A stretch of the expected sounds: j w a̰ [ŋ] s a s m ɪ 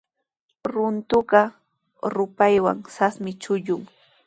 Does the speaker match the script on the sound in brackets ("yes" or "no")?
yes